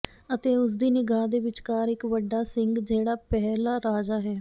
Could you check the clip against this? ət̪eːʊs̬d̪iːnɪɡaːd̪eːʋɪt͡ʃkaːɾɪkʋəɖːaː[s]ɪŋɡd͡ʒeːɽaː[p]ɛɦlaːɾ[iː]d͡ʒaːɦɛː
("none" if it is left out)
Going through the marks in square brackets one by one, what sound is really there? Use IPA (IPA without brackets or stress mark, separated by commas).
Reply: s, p, aː